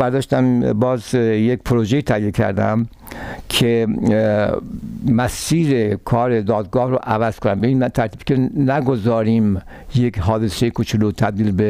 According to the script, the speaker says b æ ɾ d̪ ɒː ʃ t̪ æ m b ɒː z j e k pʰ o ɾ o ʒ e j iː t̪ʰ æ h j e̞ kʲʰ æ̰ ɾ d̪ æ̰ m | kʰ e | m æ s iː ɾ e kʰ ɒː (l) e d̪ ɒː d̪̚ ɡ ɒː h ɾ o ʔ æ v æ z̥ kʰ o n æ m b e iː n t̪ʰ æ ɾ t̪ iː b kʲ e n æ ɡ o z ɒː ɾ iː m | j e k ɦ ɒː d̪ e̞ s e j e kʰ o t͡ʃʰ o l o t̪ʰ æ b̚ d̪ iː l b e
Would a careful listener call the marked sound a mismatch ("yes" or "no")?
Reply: yes